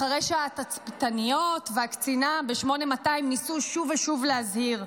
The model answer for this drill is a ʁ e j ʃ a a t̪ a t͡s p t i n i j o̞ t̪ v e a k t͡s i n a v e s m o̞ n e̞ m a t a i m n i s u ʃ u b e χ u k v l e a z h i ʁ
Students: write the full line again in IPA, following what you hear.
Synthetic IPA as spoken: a ʁ e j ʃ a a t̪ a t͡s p t a n i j o̞ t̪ v e a k t͡s i n a b e ʃ m o̞ n e̞ m a t a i m n i s u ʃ u v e ʃ u v l e a z h i ʁ